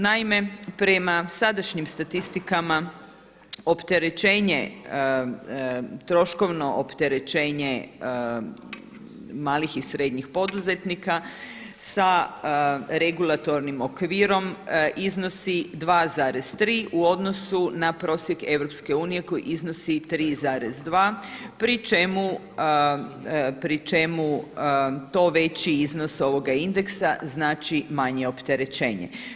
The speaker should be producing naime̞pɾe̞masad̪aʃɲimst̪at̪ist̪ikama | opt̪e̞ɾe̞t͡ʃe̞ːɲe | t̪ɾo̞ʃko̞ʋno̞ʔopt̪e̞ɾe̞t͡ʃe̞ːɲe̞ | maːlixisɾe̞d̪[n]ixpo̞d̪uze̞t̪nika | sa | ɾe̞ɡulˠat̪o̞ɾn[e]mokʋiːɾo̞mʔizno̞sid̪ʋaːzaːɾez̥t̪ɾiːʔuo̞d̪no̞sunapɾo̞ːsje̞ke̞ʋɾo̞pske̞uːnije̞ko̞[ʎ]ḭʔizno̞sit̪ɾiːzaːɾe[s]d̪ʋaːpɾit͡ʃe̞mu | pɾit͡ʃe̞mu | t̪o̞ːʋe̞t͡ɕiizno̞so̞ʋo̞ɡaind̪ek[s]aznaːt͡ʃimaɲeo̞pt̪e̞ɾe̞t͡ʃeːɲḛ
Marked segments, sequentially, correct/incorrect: incorrect: ɲ, incorrect: i, incorrect: j, incorrect: z, correct

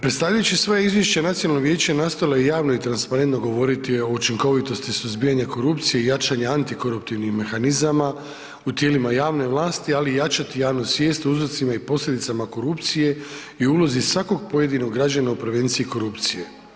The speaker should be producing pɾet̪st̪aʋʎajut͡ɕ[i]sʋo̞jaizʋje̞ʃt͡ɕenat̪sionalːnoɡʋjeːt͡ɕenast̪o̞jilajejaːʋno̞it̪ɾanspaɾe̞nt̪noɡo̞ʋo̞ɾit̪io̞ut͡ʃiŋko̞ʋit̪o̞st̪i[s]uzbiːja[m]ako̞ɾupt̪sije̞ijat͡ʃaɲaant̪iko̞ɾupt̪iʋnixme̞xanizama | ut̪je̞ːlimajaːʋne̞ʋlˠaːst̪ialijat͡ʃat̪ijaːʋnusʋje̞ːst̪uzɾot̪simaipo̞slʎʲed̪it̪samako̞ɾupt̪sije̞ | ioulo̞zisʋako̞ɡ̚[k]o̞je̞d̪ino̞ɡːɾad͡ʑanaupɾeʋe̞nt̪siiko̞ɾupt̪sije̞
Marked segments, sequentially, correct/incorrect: correct, correct, incorrect: ɲ, incorrect: p

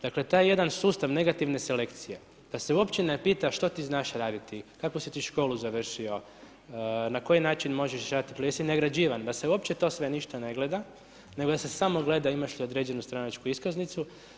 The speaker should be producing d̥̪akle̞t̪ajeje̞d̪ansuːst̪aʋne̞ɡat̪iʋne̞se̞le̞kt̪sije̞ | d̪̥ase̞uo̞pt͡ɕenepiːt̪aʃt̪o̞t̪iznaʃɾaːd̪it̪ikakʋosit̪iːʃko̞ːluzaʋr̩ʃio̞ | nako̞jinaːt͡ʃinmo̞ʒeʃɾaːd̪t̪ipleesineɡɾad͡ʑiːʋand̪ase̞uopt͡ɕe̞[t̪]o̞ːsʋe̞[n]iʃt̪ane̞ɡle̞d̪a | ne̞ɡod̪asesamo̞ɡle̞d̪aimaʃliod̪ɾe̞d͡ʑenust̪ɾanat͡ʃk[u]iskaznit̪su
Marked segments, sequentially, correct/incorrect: correct, correct, correct

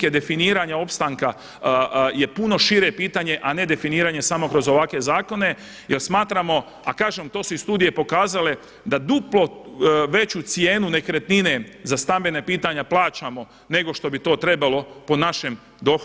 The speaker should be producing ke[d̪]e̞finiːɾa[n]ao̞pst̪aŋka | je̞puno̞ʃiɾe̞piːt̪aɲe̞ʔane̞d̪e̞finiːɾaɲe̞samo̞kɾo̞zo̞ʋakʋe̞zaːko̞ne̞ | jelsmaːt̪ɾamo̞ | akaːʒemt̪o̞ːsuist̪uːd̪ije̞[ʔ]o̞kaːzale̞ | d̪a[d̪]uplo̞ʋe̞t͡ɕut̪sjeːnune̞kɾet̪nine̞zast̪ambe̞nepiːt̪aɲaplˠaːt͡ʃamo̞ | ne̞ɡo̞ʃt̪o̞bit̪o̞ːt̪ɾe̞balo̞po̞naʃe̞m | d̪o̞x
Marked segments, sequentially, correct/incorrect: correct, incorrect: ɲ, incorrect: p, correct

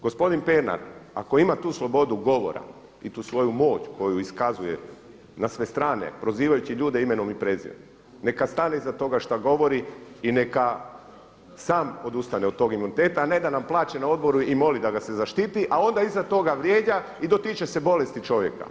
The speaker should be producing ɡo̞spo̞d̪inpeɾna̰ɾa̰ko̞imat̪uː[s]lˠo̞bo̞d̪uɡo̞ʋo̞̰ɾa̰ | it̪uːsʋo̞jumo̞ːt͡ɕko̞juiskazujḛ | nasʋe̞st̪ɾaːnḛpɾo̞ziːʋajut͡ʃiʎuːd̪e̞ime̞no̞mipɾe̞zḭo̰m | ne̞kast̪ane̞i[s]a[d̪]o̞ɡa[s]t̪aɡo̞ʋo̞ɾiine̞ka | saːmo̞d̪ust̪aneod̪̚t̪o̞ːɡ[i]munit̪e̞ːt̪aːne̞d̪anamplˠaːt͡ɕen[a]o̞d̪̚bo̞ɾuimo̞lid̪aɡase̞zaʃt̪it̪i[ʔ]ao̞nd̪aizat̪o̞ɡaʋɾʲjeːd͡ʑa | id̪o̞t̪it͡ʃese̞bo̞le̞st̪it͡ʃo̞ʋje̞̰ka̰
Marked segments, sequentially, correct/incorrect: correct, incorrect: z, incorrect: t̪, incorrect: ʃ, correct, correct, correct

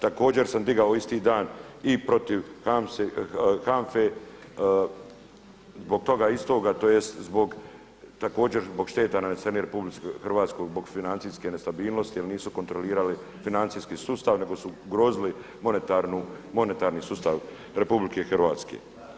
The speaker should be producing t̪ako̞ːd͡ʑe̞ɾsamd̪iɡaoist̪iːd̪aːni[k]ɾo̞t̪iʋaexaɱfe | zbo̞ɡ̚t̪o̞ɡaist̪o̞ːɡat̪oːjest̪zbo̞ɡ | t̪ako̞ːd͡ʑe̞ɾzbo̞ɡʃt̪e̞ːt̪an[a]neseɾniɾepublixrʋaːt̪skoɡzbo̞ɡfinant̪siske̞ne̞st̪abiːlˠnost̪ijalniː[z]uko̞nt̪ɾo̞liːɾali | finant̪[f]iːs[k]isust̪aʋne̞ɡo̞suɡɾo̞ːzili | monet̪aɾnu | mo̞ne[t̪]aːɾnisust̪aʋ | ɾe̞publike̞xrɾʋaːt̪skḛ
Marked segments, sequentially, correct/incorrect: incorrect: p, correct, incorrect: s, incorrect: s, correct, correct

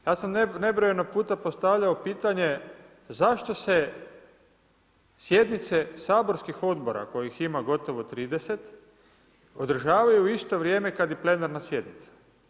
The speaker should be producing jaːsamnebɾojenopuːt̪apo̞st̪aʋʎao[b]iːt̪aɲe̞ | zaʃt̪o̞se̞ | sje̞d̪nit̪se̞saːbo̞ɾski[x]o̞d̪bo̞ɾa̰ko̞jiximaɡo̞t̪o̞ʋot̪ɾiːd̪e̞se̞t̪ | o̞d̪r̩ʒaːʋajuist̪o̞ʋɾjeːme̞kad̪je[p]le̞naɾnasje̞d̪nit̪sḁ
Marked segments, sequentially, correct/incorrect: incorrect: p, correct, correct

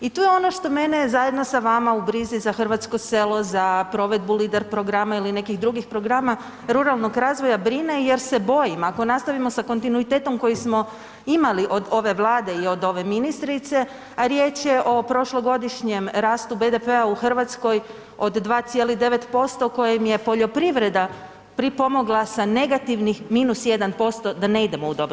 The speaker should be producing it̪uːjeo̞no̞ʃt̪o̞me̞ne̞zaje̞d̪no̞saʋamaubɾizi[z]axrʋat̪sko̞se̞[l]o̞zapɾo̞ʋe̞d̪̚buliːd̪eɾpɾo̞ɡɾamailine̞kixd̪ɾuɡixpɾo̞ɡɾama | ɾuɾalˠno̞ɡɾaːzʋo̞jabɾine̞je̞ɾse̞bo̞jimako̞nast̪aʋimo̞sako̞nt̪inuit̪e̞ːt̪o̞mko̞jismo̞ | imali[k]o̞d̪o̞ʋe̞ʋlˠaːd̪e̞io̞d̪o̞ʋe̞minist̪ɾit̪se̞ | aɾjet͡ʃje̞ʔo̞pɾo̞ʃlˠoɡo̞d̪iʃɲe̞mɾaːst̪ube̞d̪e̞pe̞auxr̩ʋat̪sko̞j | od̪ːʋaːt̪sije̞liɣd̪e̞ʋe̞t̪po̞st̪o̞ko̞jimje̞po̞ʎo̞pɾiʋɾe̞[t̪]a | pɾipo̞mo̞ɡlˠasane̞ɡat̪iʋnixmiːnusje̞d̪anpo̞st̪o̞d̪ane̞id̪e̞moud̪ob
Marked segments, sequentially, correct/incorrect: correct, correct, incorrect: ʔ, incorrect: d̪

